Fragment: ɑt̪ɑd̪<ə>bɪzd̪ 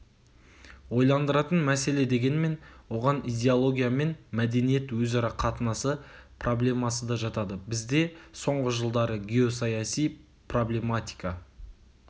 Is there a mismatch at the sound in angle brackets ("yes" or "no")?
no